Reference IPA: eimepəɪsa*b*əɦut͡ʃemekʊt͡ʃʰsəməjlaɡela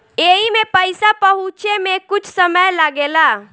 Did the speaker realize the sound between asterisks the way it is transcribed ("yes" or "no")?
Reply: no